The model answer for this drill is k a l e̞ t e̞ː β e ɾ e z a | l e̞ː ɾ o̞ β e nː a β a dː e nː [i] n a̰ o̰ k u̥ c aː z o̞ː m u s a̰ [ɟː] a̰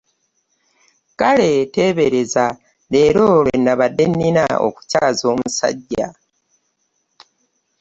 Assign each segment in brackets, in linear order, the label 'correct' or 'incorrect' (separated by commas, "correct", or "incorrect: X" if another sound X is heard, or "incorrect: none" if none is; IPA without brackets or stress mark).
correct, correct